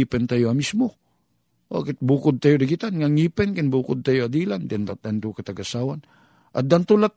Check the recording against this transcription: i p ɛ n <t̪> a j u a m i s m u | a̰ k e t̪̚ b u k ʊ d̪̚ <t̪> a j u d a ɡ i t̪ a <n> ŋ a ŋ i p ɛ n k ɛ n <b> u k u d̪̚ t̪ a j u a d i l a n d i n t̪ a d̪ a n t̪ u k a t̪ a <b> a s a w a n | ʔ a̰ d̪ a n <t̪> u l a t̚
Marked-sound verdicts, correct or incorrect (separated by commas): correct, correct, correct, correct, incorrect, correct